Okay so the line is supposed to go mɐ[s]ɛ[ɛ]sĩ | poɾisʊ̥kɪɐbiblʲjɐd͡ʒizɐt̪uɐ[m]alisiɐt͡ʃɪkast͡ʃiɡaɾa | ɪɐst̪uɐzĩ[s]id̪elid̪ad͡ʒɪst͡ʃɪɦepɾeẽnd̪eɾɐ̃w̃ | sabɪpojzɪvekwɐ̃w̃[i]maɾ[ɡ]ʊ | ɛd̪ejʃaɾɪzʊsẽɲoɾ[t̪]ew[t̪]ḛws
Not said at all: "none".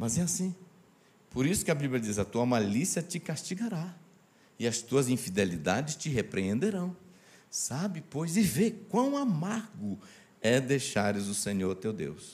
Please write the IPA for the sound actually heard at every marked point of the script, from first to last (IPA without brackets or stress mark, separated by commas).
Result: z, a, m, f, a, ɡ, t̪, d̪